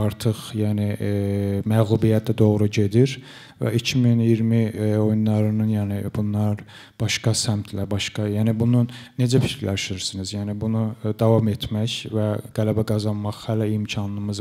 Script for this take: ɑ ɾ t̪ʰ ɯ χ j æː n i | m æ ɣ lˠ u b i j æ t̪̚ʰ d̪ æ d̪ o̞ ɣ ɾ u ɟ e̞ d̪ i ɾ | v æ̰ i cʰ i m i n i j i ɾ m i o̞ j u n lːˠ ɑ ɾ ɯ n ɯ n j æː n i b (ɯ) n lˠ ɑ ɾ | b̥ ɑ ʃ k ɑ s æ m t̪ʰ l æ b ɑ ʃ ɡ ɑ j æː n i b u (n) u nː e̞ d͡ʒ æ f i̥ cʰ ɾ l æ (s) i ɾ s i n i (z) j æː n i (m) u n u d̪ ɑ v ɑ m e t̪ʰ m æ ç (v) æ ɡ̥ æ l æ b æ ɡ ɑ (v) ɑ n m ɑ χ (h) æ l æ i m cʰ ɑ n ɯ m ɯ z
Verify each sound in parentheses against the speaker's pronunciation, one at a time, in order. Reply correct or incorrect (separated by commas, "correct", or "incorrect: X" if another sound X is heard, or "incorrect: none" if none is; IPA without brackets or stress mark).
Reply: incorrect: u, correct, incorrect: ʃ, correct, incorrect: b, correct, incorrect: z, correct